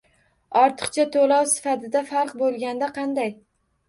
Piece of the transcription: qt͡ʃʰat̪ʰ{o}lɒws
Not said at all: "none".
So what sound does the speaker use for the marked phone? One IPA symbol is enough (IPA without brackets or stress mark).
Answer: o